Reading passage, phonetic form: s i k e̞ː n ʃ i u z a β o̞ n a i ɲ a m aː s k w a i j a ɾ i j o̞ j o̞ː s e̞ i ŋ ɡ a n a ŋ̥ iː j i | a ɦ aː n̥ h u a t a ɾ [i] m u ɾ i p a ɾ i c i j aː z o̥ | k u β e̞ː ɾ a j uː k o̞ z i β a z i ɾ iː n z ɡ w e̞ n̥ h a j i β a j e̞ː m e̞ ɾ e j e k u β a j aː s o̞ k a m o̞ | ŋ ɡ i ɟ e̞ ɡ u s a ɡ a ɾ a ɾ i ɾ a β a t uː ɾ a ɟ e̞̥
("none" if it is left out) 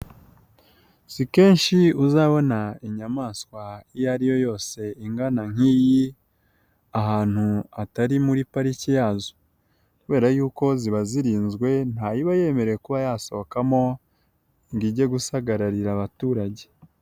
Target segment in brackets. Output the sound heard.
i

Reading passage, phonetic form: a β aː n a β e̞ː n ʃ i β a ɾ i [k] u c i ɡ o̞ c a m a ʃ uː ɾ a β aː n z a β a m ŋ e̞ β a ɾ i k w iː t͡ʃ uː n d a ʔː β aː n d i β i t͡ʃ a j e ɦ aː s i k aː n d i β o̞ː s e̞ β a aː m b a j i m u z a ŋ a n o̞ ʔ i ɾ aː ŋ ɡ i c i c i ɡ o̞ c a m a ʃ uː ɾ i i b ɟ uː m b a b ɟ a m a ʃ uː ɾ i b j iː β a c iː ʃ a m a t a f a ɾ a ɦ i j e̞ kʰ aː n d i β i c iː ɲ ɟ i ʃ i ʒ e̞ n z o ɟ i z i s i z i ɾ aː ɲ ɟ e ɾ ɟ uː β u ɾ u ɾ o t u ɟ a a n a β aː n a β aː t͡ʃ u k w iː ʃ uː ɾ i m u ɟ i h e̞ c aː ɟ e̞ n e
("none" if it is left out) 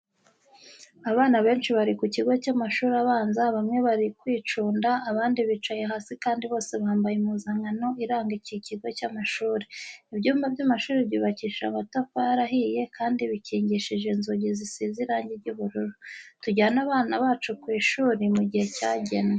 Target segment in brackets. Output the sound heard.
k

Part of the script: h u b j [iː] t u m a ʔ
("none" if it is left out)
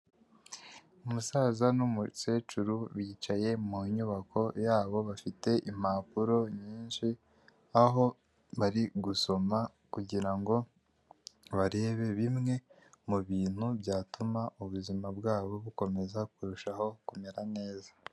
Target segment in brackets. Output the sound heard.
aː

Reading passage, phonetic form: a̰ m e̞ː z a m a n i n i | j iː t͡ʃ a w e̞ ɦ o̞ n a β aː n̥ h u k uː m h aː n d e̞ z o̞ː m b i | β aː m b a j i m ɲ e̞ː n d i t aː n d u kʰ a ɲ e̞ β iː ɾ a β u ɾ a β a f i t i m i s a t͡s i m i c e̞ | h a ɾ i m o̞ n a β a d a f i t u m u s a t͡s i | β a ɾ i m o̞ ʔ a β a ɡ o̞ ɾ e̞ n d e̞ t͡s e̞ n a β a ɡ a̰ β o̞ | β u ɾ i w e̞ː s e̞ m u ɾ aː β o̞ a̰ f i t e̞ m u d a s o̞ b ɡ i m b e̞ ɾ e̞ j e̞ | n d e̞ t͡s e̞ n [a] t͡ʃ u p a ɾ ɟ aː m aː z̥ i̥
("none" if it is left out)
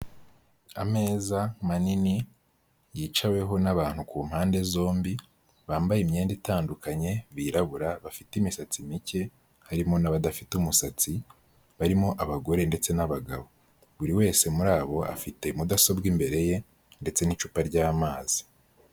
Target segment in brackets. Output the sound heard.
i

